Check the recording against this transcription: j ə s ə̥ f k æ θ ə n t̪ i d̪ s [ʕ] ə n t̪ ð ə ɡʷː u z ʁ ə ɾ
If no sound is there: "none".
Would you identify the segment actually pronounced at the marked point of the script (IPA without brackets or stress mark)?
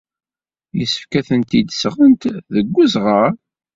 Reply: ʁ